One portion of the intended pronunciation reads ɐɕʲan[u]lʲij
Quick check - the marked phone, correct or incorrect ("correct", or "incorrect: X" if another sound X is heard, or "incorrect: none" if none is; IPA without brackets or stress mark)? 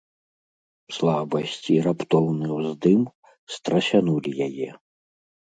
correct